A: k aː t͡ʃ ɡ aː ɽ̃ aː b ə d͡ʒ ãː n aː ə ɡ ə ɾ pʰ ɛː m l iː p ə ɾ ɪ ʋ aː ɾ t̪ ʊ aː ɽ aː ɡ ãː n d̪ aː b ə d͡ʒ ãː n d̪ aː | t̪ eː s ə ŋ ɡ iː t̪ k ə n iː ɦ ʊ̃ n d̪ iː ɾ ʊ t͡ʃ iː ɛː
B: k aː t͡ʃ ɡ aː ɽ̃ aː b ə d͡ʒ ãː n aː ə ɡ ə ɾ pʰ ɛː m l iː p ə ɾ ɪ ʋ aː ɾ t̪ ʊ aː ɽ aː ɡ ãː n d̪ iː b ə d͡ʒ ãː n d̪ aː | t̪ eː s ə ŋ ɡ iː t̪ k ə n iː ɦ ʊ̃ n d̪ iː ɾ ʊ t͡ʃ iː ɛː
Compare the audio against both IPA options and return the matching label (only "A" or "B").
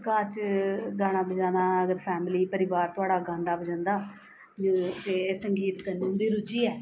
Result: A